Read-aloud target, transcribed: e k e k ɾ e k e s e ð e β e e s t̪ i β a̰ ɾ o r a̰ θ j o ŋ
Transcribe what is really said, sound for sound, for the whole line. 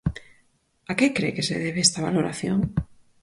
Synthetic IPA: a k e k ɾ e k e s e ð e β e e s t̪ a β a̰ l o ɾ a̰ θ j o ŋ